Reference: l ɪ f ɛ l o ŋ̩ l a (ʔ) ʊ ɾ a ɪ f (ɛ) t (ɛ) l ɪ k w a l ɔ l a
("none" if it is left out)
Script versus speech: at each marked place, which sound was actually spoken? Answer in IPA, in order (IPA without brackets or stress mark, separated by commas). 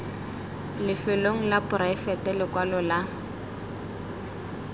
p, ɛ, ɛ